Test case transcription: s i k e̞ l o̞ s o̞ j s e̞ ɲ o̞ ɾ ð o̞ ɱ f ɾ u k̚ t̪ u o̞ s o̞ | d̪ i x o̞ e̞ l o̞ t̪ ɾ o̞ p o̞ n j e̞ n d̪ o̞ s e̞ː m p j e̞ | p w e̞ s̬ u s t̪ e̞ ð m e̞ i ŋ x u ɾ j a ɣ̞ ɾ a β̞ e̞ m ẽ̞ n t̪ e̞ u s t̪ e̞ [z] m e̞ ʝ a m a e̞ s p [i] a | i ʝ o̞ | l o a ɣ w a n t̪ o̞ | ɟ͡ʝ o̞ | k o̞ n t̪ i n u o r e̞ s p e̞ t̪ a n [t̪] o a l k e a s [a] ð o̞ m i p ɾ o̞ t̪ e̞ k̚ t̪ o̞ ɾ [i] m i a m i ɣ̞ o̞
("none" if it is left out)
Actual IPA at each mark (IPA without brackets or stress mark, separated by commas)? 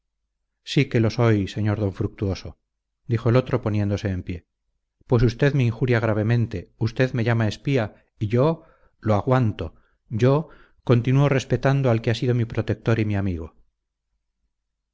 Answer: ð, i, d̪, i, i